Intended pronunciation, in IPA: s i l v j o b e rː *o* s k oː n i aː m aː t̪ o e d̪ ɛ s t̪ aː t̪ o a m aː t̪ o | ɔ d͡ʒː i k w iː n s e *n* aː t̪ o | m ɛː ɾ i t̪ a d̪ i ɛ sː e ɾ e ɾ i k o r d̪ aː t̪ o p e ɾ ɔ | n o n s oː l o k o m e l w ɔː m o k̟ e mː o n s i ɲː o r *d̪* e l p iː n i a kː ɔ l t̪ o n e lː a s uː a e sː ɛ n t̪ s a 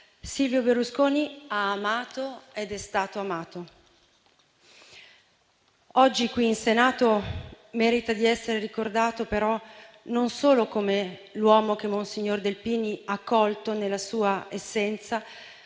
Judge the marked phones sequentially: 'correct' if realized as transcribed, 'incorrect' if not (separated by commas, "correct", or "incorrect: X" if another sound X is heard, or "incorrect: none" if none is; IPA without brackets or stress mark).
incorrect: u, correct, correct